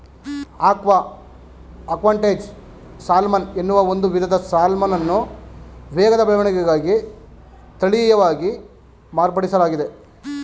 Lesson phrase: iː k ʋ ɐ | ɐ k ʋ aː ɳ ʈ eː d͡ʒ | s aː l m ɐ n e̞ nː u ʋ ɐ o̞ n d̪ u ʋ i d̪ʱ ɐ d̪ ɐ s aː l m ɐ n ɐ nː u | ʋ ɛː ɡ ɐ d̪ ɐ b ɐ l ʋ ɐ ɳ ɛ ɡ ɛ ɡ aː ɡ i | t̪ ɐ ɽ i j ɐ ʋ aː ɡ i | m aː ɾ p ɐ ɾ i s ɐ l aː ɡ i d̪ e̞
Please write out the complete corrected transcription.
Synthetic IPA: aː k ʋ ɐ | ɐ k ʋ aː ɳ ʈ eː d͡ʒ | s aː l m ɐ n e̞ nː u ʋ ɐ o̞ n d̪ u ʋ i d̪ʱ ɐ d̪ ɐ s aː l m ɐ n ɐ nː u | ʋ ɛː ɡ ɐ d̪ ɐ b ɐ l ʋ ɐ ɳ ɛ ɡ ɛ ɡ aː ɡ i | t̪ ɐ ɭ i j ɐ ʋ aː ɡ i | m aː ɾ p ɐ ɽ i s ɐ l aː ɡ i d̪ e̞